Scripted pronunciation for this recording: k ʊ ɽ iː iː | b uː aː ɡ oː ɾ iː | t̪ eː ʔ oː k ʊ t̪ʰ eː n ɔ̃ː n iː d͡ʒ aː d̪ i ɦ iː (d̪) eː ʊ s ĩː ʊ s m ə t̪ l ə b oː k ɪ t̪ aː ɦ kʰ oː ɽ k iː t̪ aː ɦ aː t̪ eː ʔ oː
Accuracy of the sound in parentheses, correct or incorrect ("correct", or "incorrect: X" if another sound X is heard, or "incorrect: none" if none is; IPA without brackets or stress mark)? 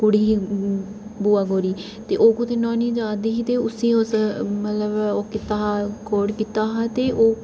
incorrect: t̪